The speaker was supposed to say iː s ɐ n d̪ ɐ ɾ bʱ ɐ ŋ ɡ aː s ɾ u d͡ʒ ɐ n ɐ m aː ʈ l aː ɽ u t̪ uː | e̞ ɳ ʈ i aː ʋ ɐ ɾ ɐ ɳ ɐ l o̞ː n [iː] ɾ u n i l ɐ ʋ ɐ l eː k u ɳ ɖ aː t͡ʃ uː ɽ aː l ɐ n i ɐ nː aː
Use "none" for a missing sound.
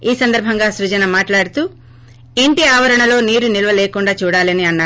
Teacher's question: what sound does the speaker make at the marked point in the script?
iː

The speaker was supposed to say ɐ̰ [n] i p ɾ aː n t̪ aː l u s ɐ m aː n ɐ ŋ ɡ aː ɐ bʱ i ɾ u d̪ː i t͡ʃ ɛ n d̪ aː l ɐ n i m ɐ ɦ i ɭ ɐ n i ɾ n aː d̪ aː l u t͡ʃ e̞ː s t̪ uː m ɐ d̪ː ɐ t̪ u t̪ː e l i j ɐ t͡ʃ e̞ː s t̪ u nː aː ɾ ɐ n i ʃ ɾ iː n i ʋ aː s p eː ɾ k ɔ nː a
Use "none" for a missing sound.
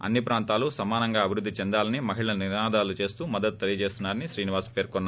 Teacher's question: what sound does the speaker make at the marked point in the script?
nː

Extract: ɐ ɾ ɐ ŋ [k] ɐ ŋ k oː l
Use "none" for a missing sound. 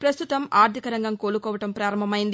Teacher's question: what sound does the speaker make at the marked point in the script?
ɡ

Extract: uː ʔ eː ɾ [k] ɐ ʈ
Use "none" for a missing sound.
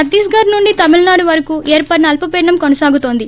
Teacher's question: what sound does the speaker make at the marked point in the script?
p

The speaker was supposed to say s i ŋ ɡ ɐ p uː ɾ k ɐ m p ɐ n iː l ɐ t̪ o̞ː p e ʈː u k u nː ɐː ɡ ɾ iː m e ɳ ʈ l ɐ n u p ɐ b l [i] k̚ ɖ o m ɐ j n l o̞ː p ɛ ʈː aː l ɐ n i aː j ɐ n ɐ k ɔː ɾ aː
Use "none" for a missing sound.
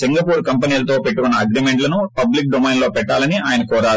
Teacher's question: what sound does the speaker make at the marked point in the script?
i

